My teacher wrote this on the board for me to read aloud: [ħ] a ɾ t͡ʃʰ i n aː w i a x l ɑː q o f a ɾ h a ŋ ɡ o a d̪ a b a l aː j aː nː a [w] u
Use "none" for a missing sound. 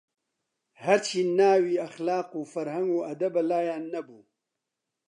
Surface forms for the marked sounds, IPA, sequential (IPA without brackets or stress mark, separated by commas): h, b